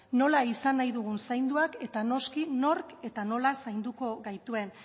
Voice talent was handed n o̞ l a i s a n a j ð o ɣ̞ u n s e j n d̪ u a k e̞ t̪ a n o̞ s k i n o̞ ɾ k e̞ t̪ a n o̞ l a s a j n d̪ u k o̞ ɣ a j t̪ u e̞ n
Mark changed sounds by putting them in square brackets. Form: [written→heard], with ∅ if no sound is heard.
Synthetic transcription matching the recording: n o̞ l a i s a n a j ð [o→u] ɣ̞ u n s [e→a] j n d̪ u a k e̞ t̪ a n o̞ s k i n o̞ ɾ k e̞ t̪ a n o̞ l a s a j n d̪ u k o̞ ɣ a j t̪ u e̞ n